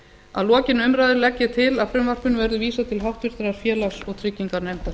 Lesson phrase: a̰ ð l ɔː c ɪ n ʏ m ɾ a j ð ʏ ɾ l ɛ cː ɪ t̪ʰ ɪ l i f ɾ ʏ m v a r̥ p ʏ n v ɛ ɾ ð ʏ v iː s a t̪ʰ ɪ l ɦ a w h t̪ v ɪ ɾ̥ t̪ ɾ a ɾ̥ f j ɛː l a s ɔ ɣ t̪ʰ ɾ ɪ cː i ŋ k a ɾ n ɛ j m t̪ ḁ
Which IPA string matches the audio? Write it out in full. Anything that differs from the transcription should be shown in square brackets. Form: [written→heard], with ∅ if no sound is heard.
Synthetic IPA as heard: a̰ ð l ɔː c ɪ n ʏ m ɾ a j ð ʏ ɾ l ɛ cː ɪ t̪ʰ ɪ l [i→a] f ɾ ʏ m v a r̥ p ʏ n v ɛ ɾ ð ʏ v iː s a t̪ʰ ɪ l ɦ a w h t̪ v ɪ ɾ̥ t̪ ɾ a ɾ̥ f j ɛː l a s ɔ ɣ t̪ʰ ɾ ɪ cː i ŋ k a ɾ n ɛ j m t̪ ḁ